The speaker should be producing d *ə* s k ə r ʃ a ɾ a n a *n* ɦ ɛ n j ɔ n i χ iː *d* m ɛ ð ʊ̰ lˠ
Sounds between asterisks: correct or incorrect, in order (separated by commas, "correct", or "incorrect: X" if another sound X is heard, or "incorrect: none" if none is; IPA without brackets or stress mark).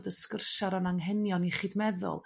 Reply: correct, incorrect: ŋ, correct